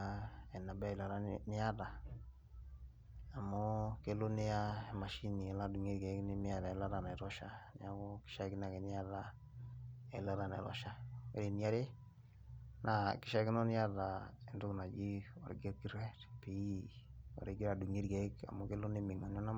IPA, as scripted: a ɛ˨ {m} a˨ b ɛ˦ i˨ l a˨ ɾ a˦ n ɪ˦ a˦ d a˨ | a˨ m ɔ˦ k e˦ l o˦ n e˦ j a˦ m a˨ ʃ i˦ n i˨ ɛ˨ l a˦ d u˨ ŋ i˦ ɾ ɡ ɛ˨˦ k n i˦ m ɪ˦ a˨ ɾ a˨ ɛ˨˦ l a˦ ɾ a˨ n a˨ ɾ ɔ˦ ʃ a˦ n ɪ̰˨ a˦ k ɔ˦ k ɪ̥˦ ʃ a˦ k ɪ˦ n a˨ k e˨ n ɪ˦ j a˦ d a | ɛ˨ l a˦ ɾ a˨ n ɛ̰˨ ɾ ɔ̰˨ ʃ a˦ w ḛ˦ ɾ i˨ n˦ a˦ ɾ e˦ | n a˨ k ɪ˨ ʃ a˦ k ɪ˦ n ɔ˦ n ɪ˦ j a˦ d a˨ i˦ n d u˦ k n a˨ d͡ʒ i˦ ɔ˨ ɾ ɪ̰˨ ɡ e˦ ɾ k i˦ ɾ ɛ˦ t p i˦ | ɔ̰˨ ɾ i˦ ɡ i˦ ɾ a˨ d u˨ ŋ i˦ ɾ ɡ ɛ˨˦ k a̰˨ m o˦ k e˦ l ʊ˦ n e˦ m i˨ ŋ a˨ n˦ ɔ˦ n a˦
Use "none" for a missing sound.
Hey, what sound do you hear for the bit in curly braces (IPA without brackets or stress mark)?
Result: n